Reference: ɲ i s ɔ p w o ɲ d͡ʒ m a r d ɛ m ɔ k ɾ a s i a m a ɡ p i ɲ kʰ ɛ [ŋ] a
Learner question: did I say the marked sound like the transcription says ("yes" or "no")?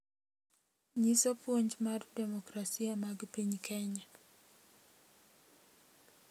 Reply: no